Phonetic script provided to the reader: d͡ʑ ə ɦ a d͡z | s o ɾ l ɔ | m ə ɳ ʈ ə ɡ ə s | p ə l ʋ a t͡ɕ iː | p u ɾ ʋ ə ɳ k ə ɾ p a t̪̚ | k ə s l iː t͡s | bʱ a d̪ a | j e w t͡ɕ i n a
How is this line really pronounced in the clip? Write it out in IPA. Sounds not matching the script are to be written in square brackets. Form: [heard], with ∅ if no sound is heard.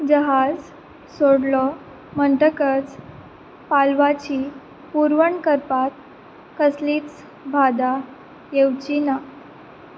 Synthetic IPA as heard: d͡ʑ ə ɦ a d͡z | s o [ɽ] l ɔ | m ə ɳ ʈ ə [k] ə [t͡s] | p [a] l ʋ a t͡ɕ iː | p u ɾ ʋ ə ɳ k ə ɾ p a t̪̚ | k ə s l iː t͡s | bʱ a d̪ a | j e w t͡ɕ i n a